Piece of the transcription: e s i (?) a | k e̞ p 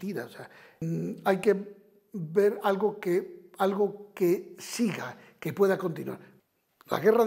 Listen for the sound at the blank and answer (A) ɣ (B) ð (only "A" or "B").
A